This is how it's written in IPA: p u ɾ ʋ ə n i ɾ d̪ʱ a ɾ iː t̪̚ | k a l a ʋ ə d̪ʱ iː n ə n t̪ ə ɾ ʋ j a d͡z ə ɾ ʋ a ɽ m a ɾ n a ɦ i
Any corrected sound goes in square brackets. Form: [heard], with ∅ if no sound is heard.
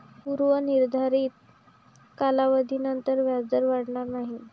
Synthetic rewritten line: p u ɾ ʋ ə n i ɾ d̪ʱ a ɾ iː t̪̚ | k a l a ʋ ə d̪ʱ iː n ə n t̪ ə ɾ ʋ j a d͡z ə ɾ ʋ a ɽ [ɳ] a ɾ n a ɦ i